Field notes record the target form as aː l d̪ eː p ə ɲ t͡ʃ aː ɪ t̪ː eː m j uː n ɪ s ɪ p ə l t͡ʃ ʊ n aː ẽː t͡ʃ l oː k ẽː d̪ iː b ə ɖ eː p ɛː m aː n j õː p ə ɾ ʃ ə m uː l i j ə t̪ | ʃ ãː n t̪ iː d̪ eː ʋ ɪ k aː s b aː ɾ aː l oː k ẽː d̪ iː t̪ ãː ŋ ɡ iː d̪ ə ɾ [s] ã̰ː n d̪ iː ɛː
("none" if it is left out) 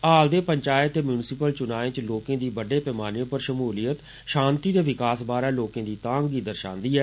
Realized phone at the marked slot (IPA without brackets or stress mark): ʃ